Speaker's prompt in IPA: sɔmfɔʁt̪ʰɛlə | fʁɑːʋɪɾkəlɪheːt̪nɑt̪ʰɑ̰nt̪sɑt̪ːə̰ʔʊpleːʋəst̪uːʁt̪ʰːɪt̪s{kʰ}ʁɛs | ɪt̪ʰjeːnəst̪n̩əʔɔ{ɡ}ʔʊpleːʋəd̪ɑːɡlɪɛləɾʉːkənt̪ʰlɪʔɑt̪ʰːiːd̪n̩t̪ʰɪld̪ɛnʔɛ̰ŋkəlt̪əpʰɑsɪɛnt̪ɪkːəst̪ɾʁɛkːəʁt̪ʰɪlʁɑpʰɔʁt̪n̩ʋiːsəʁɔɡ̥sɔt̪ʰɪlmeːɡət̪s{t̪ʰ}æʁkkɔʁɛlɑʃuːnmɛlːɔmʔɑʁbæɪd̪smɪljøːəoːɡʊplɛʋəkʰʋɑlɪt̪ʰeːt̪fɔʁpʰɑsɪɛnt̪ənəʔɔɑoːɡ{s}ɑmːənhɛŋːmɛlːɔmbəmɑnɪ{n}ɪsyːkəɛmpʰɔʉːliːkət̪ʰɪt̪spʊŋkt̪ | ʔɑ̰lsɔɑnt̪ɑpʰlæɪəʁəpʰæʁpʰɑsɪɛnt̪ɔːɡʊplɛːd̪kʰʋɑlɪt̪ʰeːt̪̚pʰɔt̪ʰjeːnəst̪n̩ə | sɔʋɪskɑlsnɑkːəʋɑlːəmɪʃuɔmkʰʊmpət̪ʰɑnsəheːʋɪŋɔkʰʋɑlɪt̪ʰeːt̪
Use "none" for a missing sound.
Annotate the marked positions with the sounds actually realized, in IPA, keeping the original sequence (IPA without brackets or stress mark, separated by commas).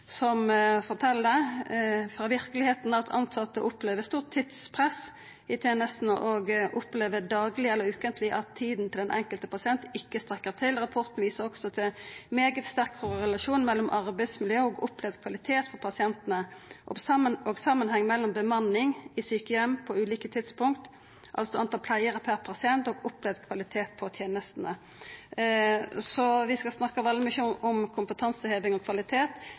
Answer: pʰ, ɡ, t̪, s, ŋ